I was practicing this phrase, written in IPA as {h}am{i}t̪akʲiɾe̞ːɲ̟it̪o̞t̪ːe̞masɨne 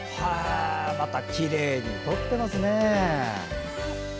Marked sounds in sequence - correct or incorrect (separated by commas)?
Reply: correct, incorrect